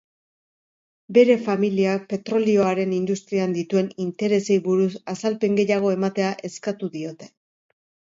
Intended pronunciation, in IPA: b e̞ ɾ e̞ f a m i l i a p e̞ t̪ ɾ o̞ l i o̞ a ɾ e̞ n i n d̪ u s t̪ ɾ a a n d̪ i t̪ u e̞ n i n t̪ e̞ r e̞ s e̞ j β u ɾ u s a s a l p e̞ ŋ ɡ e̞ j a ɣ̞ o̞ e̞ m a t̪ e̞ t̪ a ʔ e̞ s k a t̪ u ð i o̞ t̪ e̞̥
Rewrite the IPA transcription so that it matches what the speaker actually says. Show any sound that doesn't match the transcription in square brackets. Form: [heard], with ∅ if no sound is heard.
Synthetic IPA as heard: b e̞ ɾ e̞ f a m i l i a p e̞ t̪ ɾ o̞ l i o̞ a ɾ e̞ n i n d̪ u s t̪ ɾ [i] a n d̪ i t̪ u e̞ n i n t̪ e̞ [ɾ] e̞ s e̞ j β u ɾ u s a s a l p e̞ ŋ ɡ e̞ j a ɣ̞ o̞ e̞ m a t̪ e̞ [∅] a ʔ e̞ s k a t̪ u ð i o̞ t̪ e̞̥